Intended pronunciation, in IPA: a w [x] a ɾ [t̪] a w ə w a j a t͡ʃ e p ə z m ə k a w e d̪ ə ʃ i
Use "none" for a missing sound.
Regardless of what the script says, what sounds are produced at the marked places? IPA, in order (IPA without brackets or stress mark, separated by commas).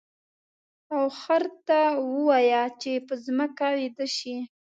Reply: x, t̪